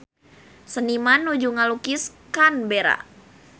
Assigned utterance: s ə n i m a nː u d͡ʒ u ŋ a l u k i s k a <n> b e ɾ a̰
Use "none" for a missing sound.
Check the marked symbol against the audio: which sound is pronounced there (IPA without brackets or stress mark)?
n